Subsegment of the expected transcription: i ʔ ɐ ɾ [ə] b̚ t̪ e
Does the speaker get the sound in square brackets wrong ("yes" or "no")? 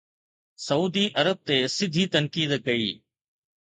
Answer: no